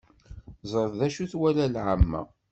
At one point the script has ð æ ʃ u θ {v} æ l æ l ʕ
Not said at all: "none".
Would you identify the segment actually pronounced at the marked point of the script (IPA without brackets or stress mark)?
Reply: w